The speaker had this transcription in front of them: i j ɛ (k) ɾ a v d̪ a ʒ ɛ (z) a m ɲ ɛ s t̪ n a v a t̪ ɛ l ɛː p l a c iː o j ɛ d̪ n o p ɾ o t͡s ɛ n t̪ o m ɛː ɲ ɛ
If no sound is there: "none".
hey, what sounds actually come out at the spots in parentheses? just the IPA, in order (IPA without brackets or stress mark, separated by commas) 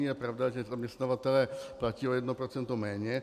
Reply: p, z